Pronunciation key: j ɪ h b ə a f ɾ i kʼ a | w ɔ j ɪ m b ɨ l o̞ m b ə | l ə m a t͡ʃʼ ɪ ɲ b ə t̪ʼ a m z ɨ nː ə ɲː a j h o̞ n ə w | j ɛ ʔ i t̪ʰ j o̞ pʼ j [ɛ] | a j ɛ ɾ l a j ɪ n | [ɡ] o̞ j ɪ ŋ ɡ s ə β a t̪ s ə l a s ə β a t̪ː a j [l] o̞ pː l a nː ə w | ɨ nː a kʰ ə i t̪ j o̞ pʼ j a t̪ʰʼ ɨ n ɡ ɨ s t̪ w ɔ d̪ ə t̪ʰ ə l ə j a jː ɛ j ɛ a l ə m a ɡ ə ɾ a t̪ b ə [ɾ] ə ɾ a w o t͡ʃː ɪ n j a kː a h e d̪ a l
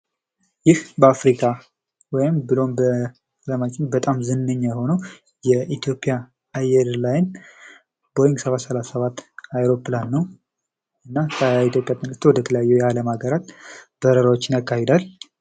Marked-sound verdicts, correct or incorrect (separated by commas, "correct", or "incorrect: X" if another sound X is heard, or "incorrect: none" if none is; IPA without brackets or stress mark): incorrect: a, incorrect: b, incorrect: ɾ, correct